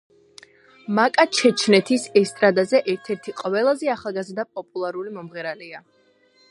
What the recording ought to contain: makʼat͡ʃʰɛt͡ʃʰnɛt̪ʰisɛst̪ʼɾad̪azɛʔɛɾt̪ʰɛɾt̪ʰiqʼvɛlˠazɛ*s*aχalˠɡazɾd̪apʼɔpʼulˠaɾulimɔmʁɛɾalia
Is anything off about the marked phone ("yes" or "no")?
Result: yes